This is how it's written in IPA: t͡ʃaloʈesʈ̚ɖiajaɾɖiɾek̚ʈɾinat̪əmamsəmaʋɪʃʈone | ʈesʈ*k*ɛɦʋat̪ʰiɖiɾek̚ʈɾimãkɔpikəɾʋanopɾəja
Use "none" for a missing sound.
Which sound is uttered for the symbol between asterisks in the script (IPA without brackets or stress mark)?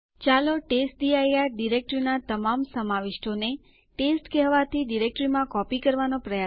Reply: k